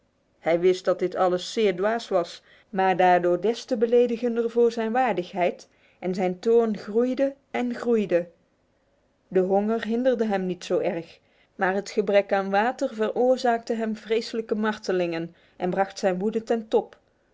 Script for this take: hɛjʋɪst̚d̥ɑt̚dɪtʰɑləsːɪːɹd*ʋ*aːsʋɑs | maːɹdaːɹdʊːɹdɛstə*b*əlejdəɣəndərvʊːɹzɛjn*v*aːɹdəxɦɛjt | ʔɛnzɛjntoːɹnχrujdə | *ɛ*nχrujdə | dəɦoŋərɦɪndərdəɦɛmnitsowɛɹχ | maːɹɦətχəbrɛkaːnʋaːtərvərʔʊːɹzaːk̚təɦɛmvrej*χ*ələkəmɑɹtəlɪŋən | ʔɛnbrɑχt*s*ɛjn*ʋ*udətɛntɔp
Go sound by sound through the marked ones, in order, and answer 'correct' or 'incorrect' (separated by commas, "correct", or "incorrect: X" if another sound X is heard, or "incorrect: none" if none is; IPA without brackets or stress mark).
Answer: correct, correct, incorrect: ʋ, correct, incorrect: s, correct, correct